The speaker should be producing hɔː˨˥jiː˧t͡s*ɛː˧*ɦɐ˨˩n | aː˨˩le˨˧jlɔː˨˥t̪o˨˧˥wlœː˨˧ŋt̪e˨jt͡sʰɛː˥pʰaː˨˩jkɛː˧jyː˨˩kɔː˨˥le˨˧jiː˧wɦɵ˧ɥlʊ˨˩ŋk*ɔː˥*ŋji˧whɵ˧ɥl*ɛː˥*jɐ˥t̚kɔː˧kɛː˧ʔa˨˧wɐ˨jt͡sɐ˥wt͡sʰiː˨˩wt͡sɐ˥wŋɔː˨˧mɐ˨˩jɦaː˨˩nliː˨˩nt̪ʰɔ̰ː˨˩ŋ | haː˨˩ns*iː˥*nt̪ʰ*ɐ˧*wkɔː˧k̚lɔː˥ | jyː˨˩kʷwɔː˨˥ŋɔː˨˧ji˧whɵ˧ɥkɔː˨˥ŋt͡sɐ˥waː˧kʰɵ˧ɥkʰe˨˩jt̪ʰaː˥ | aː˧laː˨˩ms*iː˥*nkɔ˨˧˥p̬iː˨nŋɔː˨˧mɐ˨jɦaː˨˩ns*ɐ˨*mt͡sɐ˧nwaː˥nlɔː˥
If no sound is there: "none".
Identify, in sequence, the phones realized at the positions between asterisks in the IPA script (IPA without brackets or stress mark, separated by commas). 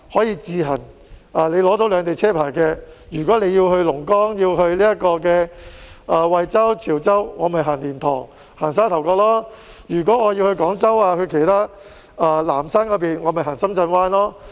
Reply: iː˧, ɔː˥, iː˥, aː˥, ɐ˨˩, aː˥, ɐ˥